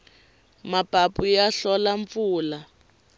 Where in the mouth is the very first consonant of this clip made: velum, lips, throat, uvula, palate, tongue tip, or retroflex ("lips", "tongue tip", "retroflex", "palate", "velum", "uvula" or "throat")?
lips